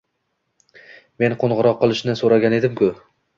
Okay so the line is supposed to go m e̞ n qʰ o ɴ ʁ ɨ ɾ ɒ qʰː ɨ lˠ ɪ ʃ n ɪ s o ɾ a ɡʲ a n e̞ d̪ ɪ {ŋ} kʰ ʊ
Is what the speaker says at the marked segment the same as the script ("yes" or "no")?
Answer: no